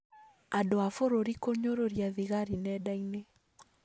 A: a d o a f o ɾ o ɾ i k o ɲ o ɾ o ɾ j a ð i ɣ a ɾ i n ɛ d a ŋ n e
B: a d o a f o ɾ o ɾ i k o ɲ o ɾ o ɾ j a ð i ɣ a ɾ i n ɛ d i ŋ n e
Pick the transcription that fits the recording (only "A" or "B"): A